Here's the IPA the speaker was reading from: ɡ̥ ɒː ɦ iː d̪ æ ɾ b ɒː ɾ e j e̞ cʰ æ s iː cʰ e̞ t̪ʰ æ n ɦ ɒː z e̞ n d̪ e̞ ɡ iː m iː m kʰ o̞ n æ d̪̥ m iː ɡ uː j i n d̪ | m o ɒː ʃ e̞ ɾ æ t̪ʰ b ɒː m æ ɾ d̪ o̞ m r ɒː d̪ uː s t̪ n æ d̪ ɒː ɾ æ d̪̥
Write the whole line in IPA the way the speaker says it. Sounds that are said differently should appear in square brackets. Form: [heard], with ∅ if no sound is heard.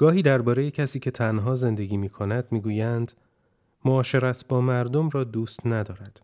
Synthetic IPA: ɡ̥ ɒː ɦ iː d̪ æ ɾ b ɒː ɾ e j e̞ cʰ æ s iː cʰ e̞ t̪ʰ æ n ɦ ɒː z e̞ n d̪ e̞ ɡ iː m iː [∅] kʰ o̞ n æ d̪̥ m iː ɡ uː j [æ] n d̪ | m o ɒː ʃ e̞ ɾ æ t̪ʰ b ɒː m æ ɾ d̪ o̞ m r ɒː d̪ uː s t̪ n æ d̪ ɒː ɾ æ d̪̥